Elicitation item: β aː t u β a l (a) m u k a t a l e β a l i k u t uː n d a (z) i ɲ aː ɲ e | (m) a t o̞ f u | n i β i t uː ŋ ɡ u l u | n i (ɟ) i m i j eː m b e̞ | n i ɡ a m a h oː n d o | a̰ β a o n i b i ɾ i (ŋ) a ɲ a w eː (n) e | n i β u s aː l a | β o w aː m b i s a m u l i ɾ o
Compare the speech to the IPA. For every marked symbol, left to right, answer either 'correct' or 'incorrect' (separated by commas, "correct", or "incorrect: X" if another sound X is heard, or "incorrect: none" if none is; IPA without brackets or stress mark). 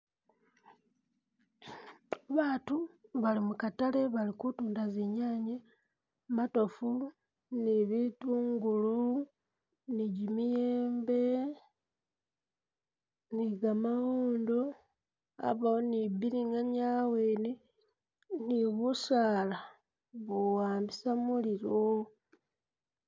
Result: incorrect: i, correct, correct, correct, correct, correct